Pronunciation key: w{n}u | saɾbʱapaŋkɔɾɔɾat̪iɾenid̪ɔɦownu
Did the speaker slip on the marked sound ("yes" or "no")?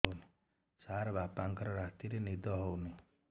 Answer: no